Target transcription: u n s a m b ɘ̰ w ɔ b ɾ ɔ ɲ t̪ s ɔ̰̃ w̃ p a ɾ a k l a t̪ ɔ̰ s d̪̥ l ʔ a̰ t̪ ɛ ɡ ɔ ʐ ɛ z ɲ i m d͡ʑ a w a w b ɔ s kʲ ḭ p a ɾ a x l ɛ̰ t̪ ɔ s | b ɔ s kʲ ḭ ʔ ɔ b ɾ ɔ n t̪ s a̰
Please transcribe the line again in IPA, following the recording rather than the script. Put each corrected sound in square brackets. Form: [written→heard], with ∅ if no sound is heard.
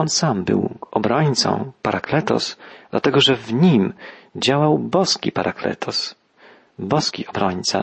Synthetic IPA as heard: [u→ɔ] n s a m b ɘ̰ w ɔ b ɾ ɔ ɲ t̪ s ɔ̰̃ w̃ p a ɾ a k l [a→ɛ] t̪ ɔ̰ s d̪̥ l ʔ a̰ t̪ ɛ ɡ ɔ ʐ ɛ [z→v] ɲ i m d͡ʑ a w a w b ɔ s kʲ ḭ p a ɾ a [x→k] l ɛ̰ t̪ ɔ s | b ɔ s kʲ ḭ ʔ ɔ b ɾ ɔ [n→ɲ] t̪ s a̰